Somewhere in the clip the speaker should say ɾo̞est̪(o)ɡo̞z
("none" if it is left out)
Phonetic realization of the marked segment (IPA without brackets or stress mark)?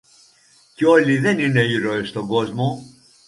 o